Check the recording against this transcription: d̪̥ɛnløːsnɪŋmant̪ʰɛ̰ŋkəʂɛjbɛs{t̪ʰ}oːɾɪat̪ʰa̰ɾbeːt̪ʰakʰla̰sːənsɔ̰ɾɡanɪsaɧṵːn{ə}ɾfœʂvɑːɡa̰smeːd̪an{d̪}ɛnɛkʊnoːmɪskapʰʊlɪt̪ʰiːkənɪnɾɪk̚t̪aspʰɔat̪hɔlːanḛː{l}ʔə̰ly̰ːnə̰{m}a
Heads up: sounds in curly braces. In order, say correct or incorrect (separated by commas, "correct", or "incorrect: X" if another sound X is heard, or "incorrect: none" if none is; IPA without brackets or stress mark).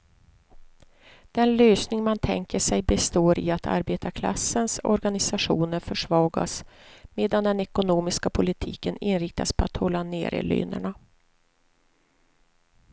incorrect: t̪, correct, correct, incorrect: ɾ, incorrect: ɳ